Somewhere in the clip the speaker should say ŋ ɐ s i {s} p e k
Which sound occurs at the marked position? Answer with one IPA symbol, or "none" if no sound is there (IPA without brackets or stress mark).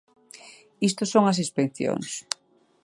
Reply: s